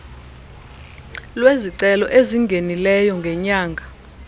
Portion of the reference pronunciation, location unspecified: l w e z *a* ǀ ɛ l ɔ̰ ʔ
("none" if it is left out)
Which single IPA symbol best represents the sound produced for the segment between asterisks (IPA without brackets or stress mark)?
i